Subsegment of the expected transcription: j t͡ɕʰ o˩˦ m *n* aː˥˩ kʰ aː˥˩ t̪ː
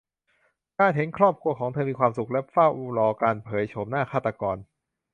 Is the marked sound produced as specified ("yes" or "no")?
yes